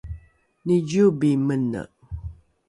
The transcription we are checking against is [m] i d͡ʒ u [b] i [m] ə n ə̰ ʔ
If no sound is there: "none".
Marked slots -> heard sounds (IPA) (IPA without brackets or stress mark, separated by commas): n, b, m